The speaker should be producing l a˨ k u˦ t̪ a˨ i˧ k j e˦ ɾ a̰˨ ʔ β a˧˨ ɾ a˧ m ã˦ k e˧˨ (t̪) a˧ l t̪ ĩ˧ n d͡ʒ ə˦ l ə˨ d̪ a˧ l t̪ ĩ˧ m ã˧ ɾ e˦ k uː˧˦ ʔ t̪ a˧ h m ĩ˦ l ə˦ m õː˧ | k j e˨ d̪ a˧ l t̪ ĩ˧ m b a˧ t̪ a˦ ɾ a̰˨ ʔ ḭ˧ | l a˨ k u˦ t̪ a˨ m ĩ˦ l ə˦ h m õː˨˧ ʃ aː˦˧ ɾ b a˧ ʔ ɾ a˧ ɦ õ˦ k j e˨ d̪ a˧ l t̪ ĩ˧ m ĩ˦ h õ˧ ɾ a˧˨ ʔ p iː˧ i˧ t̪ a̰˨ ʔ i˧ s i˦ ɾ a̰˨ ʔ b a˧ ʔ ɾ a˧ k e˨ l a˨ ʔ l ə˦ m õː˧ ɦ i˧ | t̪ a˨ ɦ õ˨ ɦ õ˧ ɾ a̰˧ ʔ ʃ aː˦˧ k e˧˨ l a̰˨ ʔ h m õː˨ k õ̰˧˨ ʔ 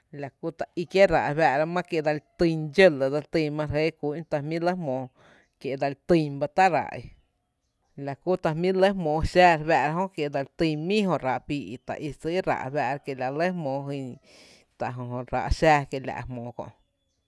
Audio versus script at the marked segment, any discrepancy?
yes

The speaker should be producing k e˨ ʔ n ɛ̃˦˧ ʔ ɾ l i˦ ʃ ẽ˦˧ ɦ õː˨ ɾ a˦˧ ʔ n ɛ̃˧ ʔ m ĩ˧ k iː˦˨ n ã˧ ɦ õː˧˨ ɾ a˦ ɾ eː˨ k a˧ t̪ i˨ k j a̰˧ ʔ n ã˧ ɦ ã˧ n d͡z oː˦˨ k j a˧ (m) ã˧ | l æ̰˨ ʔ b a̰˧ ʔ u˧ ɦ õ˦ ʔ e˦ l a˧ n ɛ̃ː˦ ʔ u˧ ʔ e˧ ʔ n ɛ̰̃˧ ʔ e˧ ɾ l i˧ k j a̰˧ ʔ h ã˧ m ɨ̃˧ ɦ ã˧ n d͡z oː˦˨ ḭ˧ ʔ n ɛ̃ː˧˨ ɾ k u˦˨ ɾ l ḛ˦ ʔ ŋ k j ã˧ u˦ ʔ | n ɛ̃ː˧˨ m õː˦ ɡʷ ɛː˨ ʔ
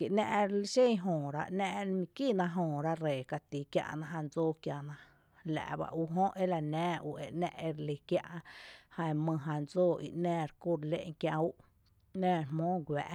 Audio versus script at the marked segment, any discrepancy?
yes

